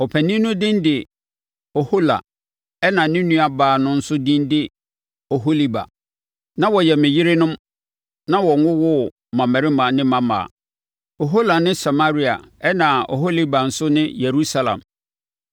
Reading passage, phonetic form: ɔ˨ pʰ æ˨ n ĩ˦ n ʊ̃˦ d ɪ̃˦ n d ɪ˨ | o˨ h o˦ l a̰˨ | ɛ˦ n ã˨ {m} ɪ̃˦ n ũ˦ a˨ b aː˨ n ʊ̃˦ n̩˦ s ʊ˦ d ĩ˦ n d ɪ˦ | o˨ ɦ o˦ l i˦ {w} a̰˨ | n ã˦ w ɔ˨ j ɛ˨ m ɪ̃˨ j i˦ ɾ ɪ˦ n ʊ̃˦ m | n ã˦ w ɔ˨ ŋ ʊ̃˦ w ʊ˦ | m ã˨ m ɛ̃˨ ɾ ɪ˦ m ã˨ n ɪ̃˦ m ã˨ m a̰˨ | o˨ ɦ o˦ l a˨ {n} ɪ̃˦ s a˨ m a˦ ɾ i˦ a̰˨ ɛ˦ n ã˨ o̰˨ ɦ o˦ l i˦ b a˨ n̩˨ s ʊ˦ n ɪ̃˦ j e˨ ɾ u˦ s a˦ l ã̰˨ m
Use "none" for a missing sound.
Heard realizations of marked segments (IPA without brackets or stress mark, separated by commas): n, b, n